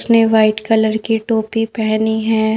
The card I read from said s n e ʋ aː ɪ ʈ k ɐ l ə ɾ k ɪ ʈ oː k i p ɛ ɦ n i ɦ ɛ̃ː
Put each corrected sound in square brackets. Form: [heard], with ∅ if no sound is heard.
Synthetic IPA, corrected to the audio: s n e ʋ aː ɪ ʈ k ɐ l ə ɾ k [i] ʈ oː [p] i p ɛ ɦ n i ɦ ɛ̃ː

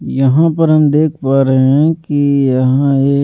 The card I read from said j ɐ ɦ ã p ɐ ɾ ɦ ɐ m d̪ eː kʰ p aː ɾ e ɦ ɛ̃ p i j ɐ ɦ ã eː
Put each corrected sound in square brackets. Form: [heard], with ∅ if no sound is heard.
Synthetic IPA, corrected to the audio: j ɐ ɦ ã p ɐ ɾ ɦ ɐ m d̪ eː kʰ p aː ɾ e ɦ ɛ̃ [k] i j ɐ ɦ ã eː

